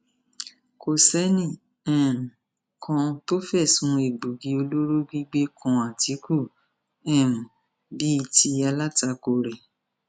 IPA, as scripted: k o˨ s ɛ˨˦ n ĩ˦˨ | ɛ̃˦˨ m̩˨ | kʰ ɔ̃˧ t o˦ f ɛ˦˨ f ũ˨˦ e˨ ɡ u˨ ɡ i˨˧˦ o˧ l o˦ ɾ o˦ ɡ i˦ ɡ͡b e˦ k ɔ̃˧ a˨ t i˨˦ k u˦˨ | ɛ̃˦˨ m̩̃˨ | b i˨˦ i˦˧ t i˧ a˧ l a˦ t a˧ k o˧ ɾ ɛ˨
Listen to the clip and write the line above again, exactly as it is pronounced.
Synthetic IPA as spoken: k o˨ s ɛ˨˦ n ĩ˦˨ | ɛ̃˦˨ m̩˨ | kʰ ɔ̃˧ t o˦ f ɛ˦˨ s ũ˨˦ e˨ ɡ͡b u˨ ɡ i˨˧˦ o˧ l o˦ ɾ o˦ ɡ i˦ ɡ͡b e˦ k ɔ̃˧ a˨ t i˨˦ k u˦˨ | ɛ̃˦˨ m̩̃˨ | b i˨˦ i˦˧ t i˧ a˧ l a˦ t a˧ k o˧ ɾ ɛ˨